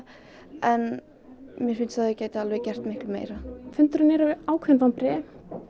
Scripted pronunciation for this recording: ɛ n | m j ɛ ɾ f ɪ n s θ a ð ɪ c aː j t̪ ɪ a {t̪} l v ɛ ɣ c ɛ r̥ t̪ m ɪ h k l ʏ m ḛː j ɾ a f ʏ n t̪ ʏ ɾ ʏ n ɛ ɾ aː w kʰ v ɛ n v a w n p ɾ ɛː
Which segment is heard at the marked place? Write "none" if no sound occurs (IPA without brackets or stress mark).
none